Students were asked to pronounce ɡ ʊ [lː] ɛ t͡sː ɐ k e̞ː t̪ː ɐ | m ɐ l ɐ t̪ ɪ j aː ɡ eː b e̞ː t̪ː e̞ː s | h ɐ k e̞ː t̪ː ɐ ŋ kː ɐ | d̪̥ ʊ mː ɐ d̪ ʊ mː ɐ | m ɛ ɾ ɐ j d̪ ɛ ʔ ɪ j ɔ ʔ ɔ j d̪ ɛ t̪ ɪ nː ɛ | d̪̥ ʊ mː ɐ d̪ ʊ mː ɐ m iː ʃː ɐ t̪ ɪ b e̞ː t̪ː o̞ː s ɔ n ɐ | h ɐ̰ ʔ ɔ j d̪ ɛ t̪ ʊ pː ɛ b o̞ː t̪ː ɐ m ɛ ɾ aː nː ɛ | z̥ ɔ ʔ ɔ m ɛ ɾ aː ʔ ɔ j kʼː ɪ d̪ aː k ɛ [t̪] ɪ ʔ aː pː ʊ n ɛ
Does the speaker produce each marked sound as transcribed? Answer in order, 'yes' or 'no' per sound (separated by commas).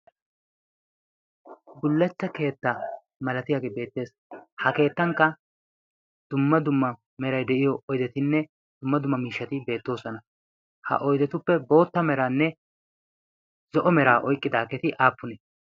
yes, yes